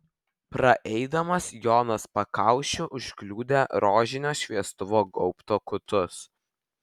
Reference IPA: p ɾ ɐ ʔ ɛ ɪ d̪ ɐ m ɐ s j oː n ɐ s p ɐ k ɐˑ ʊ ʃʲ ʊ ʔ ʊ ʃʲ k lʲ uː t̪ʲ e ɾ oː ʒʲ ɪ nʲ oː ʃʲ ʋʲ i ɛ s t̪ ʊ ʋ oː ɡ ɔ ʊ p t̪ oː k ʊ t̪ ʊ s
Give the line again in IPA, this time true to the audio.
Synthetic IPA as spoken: p ɾ ɐ ʔ ɛ ɪ d̪ ɐ m ɐ s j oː n ɐ s p ɐ k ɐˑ ʊ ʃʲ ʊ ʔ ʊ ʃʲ k lʲ uː d̪ʲ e ɾ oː ʒʲ ɪ nʲ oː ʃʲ ʋʲ i ɛ s t̪ ʊ ʋ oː ɡ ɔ ʊ p t̪ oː k ʊ t̪ ʊ s